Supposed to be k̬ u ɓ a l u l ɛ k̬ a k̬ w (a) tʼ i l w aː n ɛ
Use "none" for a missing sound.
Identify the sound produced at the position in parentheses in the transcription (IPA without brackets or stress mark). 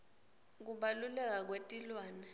e